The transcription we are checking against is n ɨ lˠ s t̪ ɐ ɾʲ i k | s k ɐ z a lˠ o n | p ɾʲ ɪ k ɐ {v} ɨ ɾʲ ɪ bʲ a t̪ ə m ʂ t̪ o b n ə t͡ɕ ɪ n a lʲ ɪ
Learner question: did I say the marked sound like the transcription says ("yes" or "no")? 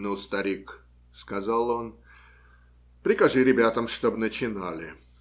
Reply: no